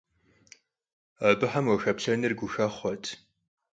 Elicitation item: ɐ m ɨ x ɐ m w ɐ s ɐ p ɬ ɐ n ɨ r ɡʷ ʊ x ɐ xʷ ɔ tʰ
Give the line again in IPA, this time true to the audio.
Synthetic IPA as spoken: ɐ b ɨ ħ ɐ m w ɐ x ɐ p ɬ ɐ n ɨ r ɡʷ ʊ x ɐ χʷ ɔ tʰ